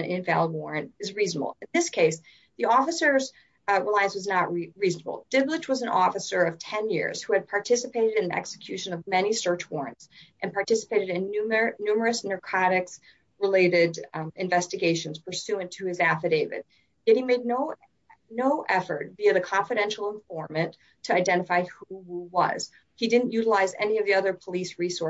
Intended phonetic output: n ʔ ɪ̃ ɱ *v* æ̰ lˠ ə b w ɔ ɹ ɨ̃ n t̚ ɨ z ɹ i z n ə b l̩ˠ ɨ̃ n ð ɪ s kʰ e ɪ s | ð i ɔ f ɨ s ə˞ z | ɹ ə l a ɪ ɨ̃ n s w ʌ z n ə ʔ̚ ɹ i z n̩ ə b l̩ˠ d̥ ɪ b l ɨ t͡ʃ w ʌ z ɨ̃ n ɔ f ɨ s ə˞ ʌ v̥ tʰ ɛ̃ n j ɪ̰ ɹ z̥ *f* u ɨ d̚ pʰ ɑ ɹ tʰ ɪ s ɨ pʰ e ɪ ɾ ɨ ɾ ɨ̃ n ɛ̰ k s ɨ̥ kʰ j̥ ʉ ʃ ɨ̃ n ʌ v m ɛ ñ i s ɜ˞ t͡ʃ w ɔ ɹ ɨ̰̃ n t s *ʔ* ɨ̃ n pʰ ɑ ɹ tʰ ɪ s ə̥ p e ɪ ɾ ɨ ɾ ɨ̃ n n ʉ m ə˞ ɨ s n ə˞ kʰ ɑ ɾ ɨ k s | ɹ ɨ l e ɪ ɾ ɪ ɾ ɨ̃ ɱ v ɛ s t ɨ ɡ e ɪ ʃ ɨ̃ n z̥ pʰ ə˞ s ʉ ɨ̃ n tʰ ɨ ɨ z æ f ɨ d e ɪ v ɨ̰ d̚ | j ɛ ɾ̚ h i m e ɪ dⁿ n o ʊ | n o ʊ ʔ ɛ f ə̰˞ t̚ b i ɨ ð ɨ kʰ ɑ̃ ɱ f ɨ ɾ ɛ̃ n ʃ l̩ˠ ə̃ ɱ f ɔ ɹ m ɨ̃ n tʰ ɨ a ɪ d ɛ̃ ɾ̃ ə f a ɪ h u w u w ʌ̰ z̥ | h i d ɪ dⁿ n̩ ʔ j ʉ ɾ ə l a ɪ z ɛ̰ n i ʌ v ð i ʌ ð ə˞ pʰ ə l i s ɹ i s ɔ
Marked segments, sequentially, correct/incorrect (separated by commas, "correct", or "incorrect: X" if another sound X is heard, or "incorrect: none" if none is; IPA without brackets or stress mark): correct, incorrect: h, correct